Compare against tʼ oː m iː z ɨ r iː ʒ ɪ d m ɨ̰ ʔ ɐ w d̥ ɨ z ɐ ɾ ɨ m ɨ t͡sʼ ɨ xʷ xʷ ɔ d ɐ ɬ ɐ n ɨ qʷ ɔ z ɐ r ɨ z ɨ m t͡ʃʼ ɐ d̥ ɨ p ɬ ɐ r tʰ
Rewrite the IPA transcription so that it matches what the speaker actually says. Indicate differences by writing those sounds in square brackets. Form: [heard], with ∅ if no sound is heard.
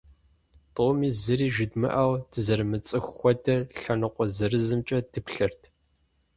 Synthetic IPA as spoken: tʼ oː m iː z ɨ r iː ʒ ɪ d m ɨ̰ ʔ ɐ w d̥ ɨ z ɐ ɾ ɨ m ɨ t͡sʼ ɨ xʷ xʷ ɔ d ɐ ɬ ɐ n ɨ qʷ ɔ z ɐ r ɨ z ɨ m t͡ʃʼ ɐ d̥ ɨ p ɬ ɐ r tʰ